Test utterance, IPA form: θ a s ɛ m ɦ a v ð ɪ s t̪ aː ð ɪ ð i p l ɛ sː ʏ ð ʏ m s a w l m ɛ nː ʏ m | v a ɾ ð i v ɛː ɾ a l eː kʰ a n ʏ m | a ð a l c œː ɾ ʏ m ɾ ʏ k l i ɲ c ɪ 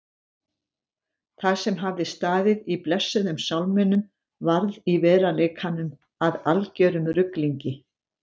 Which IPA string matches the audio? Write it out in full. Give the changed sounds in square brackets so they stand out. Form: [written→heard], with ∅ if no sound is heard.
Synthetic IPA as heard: θ a s ɛ m ɦ a v ð ɪ s t̪ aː ð ɪ ð i p l ɛ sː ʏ ð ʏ m s a w l m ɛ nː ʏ m | v a ɾ ð i v ɛː ɾ a l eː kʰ a n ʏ m | a ð a l c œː ɾ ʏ m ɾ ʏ k l i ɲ c ɪ